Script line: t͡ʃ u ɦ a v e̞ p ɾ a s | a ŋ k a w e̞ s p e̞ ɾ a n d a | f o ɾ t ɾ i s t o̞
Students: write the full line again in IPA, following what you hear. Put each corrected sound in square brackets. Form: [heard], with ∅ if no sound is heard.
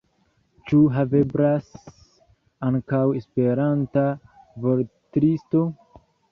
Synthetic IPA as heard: t͡ʃ u ɦ a v e̞ [b] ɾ a s | a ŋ k a w e̞ s p e̞ ɾ a n [t] a | [v] o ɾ t ɾ i s t o̞